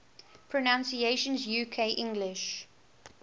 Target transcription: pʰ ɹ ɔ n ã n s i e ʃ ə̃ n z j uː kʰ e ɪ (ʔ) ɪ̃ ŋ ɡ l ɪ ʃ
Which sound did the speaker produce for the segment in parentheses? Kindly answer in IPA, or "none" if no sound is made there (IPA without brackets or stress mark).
ʔ